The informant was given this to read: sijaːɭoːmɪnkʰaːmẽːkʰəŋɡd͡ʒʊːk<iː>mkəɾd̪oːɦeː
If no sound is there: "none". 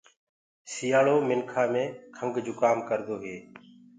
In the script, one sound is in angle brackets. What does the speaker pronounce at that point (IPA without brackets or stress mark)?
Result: aː